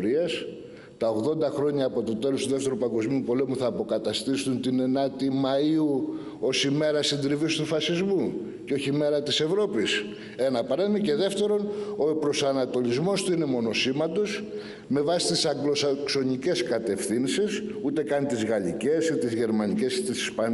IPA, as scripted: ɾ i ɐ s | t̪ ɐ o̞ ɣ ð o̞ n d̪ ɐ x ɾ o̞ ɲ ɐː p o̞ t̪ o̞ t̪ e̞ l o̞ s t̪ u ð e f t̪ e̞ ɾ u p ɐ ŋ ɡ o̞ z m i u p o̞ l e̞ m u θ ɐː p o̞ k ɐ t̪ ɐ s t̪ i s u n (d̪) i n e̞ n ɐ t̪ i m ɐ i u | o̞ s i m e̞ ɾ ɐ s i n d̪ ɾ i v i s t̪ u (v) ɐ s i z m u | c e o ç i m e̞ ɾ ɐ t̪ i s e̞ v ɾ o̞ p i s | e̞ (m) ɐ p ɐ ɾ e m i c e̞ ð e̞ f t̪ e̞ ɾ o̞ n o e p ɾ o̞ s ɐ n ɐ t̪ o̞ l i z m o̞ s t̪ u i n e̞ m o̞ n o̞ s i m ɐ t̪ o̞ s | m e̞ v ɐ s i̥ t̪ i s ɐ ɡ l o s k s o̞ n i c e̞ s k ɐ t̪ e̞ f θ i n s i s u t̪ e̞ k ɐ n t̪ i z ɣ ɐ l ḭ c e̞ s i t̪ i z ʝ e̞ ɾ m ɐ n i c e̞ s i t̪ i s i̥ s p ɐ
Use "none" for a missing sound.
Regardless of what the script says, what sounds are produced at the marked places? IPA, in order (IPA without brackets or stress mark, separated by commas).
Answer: t̪, f, n